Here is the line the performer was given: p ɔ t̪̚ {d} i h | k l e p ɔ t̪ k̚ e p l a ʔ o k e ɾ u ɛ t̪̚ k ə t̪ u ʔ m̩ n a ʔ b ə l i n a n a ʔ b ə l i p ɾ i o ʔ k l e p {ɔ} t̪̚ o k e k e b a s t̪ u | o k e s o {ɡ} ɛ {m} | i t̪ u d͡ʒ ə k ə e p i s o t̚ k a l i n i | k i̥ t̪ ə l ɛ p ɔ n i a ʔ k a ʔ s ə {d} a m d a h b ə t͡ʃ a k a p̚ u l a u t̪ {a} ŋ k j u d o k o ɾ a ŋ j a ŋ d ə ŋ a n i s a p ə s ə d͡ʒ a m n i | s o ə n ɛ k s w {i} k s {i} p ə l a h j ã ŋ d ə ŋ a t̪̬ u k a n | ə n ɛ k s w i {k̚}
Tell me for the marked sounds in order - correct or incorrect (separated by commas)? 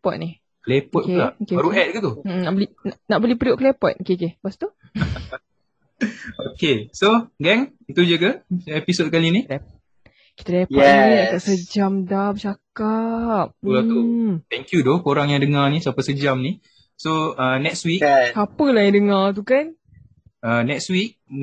incorrect, correct, correct, incorrect, incorrect, incorrect, correct, incorrect, correct